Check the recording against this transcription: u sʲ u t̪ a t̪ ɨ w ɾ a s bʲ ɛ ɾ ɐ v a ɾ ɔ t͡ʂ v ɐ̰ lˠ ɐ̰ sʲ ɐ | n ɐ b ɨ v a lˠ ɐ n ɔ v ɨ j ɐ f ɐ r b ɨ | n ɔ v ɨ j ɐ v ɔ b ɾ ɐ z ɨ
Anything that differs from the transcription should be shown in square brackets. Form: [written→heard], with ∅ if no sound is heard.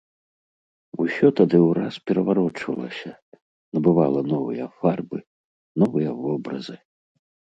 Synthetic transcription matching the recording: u sʲ [u→ɔ] t̪ a [t̪→d̪] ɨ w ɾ a s [bʲ→pʲ] ɛ ɾ ɐ v a ɾ ɔ t͡ʂ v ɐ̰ lˠ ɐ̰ sʲ ɐ | n ɐ b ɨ v a lˠ ɐ n ɔ v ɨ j ɐ f [ɐ→a] r b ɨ | n ɔ v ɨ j ɐ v ɔ b ɾ ɐ z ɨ